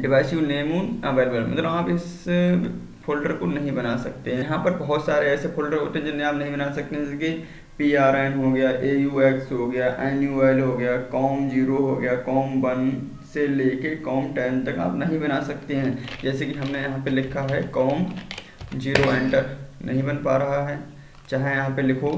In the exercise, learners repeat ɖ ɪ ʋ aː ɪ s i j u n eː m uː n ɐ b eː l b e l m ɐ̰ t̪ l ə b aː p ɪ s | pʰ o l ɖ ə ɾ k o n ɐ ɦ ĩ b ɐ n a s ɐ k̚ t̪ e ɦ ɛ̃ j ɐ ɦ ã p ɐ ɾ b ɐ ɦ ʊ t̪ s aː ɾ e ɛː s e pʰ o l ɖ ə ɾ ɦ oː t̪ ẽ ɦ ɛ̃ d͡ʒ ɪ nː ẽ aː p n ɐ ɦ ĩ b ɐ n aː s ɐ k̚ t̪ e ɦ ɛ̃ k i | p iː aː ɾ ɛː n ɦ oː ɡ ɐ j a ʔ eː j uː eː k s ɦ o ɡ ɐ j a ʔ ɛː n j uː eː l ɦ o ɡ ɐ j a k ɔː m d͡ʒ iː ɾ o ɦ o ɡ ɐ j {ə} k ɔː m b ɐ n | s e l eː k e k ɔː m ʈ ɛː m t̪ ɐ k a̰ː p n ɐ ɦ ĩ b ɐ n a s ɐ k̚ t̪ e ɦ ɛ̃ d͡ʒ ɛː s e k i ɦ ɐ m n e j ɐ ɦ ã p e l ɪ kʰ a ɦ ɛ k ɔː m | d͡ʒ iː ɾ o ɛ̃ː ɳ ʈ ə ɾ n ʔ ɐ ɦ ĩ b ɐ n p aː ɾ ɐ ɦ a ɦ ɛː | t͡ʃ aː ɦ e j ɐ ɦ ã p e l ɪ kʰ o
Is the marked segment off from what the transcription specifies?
yes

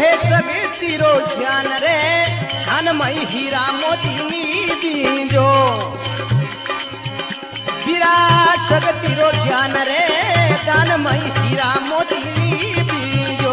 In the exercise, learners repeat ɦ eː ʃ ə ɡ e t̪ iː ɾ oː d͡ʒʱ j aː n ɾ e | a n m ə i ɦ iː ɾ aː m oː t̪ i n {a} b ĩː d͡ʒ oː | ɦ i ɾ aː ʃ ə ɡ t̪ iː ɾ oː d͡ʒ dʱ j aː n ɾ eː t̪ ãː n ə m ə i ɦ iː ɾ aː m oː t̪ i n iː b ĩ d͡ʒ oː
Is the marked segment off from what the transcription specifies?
yes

